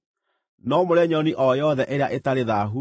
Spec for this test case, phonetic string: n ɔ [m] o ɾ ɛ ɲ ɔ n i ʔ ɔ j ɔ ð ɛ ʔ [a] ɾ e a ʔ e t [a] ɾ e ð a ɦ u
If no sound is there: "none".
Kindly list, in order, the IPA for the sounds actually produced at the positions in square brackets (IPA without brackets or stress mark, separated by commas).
m, e, a